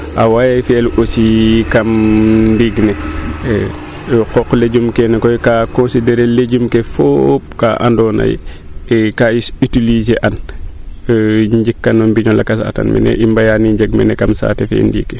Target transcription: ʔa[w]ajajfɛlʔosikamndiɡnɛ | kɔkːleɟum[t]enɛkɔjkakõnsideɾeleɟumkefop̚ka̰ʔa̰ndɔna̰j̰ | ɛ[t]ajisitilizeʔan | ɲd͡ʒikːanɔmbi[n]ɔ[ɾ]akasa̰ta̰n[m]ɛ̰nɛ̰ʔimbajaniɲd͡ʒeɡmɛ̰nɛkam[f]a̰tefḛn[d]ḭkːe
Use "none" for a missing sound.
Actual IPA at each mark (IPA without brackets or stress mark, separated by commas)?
w, k, k, ɲ, l, m, s, d